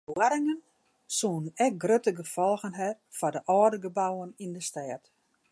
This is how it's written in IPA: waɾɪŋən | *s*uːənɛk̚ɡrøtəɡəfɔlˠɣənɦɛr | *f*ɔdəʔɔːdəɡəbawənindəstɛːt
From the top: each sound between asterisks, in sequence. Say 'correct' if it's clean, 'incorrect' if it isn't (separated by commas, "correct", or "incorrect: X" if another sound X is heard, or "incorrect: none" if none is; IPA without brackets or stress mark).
correct, correct